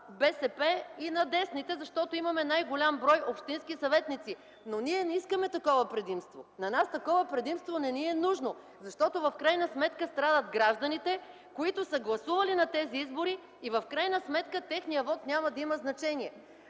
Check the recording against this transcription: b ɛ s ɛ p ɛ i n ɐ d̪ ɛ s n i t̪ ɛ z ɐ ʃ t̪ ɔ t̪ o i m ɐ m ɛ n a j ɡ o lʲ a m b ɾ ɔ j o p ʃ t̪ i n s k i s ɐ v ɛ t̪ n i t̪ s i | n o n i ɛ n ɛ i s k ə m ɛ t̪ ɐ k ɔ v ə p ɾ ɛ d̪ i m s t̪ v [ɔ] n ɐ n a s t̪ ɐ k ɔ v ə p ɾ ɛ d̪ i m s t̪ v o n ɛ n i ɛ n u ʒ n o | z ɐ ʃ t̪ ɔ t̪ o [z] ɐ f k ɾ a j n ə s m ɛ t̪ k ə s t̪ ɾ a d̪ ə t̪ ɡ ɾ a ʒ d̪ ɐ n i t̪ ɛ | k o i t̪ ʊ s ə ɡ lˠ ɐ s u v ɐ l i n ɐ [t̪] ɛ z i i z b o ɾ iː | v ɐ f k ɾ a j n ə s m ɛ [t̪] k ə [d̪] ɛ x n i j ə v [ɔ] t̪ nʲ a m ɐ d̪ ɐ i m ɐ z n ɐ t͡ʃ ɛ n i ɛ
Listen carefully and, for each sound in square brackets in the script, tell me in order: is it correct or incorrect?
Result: incorrect, incorrect, correct, correct, incorrect, correct

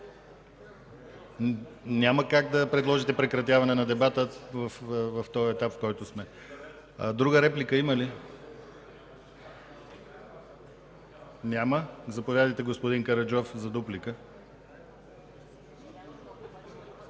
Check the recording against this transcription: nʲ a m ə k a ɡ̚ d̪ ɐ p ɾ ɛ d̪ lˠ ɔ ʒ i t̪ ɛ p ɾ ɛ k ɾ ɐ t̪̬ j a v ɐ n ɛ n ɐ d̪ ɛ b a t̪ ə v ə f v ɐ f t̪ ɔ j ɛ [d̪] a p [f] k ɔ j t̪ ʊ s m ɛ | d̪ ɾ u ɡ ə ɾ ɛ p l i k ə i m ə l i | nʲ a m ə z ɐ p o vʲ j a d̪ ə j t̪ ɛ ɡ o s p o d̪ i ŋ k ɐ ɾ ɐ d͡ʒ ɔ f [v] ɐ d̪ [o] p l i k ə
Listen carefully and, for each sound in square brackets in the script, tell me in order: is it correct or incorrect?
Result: incorrect, correct, incorrect, incorrect

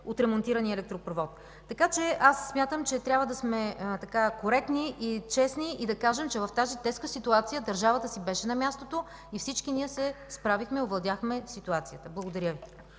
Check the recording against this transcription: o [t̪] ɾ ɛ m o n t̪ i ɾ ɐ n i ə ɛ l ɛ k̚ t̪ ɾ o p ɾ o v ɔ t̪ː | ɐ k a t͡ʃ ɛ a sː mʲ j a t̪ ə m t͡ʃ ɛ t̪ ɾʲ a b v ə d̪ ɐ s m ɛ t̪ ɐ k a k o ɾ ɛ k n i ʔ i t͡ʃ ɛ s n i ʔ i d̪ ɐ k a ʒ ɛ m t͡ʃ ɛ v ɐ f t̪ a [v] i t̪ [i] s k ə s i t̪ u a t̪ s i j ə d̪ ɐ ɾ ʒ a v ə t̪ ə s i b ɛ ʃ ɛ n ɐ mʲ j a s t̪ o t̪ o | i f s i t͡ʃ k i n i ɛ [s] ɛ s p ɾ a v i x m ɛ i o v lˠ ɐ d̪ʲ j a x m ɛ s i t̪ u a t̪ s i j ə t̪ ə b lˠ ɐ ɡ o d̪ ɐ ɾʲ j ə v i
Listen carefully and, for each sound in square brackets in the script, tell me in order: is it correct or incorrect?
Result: correct, incorrect, incorrect, correct

